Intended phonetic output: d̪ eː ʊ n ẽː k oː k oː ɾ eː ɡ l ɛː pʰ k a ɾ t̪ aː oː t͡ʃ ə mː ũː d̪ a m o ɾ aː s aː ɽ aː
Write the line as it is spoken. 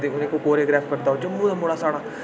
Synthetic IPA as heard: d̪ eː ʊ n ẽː k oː k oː ɾ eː ɡ ɾ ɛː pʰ k ə ɾ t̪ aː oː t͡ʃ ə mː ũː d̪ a m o ɽ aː s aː ɽ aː